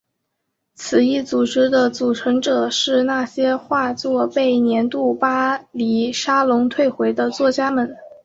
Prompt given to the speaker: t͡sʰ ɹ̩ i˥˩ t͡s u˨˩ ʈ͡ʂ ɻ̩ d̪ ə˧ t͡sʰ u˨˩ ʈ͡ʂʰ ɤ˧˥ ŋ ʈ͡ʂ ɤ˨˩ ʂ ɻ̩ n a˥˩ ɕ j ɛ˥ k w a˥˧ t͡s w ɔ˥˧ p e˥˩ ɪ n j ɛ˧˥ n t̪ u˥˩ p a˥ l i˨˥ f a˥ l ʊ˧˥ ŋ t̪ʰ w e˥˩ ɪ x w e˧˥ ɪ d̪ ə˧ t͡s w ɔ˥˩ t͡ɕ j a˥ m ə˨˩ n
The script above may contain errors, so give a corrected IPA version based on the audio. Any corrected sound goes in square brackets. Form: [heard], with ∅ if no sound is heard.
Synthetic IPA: t͡sʰ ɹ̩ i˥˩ t͡s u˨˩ ʈ͡ʂ ɻ̩ d̪ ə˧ [t͡s] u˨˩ ʈ͡ʂʰ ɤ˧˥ ŋ ʈ͡ʂ ɤ˨˩ ʂ ɻ̩ n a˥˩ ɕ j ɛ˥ [x] w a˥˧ t͡s w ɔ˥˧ p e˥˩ ɪ n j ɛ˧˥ n t̪ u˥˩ p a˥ l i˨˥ [ʂ] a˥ l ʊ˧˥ ŋ t̪ʰ w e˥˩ ɪ x w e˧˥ ɪ d̪ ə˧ t͡s w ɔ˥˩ t͡ɕ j a˥ m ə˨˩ n